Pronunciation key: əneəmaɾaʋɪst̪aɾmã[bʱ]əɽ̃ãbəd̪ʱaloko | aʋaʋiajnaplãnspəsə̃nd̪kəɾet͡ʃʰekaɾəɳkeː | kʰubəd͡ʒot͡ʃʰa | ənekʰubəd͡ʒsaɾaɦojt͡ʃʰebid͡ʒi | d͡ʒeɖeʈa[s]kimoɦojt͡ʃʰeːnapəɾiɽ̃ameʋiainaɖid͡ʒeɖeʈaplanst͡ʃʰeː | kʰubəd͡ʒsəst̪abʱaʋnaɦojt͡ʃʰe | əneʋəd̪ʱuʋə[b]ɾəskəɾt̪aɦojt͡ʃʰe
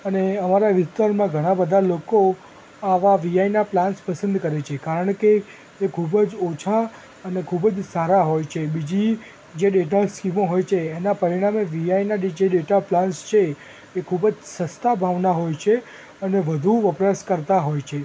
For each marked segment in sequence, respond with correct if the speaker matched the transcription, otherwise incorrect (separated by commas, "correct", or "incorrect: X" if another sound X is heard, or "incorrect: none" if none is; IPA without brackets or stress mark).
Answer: incorrect: ɡʱ, correct, incorrect: p